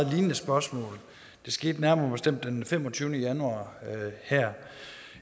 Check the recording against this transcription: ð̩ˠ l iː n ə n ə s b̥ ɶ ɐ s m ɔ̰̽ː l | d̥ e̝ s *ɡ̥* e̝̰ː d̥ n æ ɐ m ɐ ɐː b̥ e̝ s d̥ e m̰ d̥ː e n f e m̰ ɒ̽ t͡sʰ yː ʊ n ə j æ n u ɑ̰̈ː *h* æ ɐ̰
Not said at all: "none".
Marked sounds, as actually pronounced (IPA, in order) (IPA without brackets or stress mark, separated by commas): ɡ̥, h